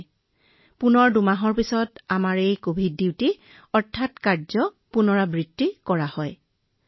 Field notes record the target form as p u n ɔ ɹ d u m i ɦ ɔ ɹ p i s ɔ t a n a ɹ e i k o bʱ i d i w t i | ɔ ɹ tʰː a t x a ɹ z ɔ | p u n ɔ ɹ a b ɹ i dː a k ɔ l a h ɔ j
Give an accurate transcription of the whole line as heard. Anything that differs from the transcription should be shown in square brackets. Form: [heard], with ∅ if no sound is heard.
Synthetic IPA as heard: p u n ɔ ɹ d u m [a] ɦ ɔ ɹ p i s ɔ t a [m] a ɹ e [j] k o bʱ i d i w t i | ɔ ɹ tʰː a t [k] a ɹ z ɔ | p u n ɔ ɹ a b ɹ i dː [i] k ɔ [ɹ] a h ɔ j